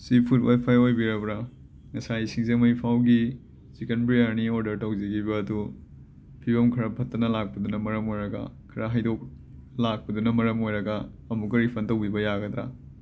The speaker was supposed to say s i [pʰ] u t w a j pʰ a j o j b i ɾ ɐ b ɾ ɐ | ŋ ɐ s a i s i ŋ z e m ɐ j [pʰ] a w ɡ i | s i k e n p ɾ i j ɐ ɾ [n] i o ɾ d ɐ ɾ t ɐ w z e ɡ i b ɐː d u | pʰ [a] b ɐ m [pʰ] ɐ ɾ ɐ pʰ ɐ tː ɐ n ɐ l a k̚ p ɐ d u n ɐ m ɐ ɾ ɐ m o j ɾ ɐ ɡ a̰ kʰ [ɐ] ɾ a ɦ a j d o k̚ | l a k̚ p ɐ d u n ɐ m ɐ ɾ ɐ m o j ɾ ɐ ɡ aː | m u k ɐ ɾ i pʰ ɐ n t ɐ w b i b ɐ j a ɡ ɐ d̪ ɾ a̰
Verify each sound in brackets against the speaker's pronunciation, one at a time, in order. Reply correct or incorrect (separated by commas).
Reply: correct, correct, correct, incorrect, incorrect, correct